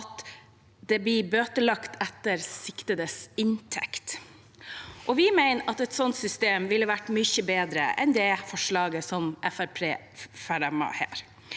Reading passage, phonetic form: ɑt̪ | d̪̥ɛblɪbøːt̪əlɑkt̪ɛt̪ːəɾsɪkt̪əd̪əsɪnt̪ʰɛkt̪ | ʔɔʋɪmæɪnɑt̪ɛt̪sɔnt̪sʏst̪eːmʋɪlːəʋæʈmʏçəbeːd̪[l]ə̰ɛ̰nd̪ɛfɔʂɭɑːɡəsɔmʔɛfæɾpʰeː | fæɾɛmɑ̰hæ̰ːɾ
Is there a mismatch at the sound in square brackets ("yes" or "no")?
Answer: yes